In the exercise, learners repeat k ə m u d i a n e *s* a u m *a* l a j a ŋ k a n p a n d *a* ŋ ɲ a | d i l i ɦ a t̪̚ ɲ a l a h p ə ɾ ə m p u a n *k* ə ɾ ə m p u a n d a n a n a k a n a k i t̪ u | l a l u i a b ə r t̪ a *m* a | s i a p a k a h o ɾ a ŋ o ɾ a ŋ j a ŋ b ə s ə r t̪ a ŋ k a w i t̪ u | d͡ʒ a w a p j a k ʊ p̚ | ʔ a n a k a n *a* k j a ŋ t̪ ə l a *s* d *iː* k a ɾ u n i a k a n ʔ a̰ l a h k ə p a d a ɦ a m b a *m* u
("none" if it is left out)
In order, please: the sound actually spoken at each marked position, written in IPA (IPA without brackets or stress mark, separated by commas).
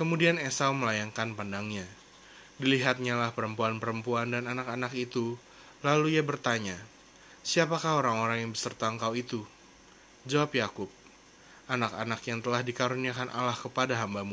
s, ə, a, p, ɲ, a, h, i, m